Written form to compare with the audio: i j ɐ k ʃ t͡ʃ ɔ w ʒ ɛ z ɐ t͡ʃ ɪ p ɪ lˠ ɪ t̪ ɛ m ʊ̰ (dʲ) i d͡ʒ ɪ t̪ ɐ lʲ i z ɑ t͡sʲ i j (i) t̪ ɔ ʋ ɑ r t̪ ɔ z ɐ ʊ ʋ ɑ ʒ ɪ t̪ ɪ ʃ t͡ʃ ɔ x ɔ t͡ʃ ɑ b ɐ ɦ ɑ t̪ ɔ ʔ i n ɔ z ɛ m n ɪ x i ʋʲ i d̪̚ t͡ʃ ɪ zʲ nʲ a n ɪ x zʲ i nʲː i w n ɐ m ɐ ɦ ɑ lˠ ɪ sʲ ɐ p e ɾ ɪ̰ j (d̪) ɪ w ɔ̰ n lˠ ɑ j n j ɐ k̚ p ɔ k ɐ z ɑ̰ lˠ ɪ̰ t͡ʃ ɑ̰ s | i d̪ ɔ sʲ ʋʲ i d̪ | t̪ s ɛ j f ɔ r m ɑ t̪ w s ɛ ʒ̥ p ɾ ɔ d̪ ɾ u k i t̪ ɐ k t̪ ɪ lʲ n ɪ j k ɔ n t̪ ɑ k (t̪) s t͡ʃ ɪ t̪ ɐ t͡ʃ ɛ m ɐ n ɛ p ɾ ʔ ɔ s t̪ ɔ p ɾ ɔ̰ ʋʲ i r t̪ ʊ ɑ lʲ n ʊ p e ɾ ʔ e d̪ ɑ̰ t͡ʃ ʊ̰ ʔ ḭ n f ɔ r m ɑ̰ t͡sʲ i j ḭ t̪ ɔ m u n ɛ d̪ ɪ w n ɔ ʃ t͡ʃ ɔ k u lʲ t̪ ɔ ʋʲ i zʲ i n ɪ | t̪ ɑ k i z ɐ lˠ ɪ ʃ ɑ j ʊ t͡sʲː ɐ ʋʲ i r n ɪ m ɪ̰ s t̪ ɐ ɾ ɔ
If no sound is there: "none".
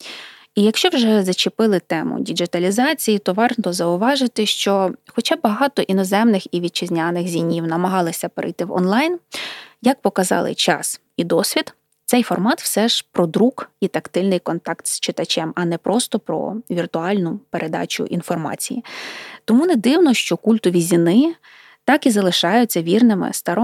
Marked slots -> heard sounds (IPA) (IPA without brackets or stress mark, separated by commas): dʲ, i, t̪, t̪